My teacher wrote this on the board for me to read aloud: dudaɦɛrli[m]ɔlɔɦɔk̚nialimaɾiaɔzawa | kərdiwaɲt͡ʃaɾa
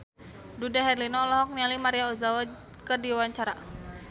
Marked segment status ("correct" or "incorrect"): incorrect